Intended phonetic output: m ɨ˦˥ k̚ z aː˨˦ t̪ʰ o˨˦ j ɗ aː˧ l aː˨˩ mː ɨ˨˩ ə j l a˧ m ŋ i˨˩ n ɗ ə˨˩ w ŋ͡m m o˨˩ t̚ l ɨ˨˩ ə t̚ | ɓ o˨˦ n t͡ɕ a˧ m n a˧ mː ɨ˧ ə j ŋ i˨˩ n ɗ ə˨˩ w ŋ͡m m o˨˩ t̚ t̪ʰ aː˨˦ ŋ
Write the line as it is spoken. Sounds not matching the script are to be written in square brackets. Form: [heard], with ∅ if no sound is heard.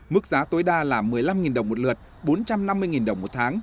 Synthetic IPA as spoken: m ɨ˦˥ k̚ z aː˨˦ [t̪] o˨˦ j ɗ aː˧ l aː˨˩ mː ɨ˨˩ ə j l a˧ m ŋ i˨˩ n ɗ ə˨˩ w ŋ͡m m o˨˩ t̚ l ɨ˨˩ ə t̚ | ɓ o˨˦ n t͡ɕ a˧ m n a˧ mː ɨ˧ ə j ŋ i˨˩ n ɗ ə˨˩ w ŋ͡m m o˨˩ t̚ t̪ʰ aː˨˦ ŋ